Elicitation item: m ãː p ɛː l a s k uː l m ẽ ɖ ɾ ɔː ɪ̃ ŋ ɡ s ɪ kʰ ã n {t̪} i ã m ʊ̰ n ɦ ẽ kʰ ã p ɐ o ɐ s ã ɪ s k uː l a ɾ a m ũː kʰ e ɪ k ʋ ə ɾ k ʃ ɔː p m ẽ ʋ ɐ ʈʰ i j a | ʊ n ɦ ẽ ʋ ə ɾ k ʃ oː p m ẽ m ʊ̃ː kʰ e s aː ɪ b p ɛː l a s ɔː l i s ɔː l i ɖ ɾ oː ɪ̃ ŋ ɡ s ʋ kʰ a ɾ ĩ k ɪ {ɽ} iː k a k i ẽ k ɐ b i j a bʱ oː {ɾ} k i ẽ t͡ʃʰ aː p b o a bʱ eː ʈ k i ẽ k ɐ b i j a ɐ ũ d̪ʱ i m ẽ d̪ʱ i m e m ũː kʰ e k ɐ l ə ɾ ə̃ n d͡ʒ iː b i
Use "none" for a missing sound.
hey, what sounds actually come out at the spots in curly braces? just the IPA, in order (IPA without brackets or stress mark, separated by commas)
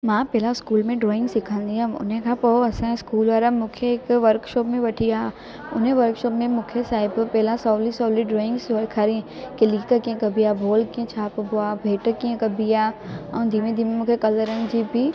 d̪, l, l